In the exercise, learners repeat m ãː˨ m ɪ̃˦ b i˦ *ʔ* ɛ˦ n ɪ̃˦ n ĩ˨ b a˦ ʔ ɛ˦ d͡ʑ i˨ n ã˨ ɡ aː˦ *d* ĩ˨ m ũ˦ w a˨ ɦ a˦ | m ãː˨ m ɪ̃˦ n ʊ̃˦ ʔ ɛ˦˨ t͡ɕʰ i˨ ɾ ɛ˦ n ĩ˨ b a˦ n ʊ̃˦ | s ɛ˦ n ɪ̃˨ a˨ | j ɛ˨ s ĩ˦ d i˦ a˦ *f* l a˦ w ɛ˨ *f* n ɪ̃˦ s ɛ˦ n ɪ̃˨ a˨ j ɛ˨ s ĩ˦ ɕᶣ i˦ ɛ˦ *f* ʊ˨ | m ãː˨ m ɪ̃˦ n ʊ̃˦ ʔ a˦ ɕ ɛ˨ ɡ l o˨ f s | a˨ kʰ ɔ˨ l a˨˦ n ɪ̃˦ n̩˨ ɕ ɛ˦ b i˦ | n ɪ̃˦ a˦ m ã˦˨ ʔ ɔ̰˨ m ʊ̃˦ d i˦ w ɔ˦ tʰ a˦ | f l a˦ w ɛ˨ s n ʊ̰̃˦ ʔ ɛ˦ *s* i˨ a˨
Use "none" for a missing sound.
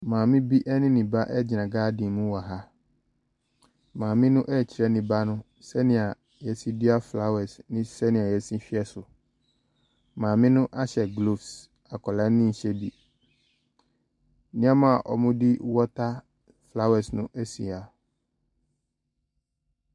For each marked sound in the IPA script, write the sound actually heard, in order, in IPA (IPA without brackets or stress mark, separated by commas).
ʔ, d, f, s, s, s